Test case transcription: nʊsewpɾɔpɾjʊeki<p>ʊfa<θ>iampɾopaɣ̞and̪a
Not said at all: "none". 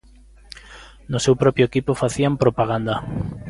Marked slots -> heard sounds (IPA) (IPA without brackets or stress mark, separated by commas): p, θ